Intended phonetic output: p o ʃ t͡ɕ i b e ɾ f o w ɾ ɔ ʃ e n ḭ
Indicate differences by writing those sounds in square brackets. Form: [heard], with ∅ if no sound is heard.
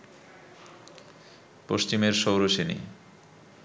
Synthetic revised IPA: p o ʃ t͡ɕ i [m] e ɾ [ʃ] o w ɾ [o] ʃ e n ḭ

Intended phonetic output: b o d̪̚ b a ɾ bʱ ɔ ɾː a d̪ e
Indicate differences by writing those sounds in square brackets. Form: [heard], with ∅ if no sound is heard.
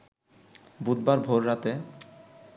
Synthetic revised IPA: b [u] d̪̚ b a ɾ bʱ [o] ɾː a [t̪] e

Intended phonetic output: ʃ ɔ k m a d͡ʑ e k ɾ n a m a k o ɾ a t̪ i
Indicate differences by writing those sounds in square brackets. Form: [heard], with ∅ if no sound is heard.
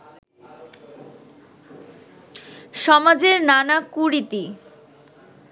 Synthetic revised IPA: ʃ ɔ [∅] m a d͡ʑ e [∅] ɾ n a [n] a k [u] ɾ [i] t̪ i

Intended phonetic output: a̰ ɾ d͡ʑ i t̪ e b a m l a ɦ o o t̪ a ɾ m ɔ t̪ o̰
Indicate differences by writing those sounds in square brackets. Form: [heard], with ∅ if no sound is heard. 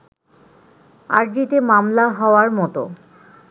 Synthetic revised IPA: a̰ ɾ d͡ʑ i t̪ e [m] a m l a ɦ [ɔ] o [∅] a ɾ m ɔ t̪ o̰

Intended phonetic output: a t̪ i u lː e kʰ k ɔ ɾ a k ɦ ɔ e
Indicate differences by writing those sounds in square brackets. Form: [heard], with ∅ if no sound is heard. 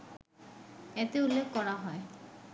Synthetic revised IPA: [e] t̪ [e] u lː e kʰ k ɔ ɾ a [∅] ɦ ɔ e

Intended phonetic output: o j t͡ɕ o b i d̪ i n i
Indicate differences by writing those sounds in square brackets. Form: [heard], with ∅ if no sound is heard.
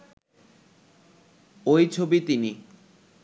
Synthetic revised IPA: o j [t͡ɕʰ] o b i [t̪] i n i

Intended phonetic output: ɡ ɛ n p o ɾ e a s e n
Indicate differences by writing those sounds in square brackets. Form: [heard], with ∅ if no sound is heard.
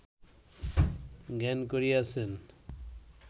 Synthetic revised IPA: ɡ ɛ n [k] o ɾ [i] a s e n

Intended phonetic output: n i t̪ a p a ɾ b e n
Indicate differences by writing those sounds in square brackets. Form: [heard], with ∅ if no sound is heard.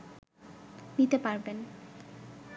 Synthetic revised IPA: n i t̪ [e] p a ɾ b e n

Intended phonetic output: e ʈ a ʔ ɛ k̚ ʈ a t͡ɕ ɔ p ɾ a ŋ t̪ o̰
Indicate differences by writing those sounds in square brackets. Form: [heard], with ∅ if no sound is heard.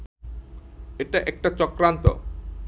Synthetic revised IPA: e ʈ a ʔ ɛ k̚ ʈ a t͡ɕ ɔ [k] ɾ a [n] t̪ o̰

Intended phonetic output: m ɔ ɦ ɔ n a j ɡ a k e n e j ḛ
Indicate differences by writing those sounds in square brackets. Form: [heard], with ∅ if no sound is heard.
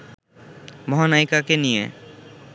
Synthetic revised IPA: m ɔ ɦ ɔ n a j [k] a k e n [i] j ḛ

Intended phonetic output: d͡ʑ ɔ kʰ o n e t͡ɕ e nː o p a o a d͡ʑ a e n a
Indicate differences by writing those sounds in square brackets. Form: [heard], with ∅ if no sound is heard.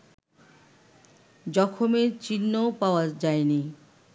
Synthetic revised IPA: d͡ʑ ɔ kʰ o [m] e t͡ɕ [i] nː o p a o a d͡ʑ a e n [i]

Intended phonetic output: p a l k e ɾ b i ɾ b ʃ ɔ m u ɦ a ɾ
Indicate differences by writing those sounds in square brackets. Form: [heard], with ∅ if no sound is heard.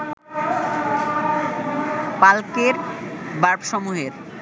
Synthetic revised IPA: p a l k e ɾ b [a] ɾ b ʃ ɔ m u ɦ [e] ɾ

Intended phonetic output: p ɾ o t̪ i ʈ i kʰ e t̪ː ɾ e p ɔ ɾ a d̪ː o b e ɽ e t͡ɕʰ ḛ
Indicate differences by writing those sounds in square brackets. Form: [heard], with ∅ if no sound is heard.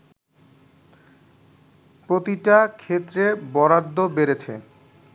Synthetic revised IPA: p ɾ o t̪ i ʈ [a] kʰ e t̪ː ɾ e [b] ɔ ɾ a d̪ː o b e [ɾ] e t͡ɕʰ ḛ

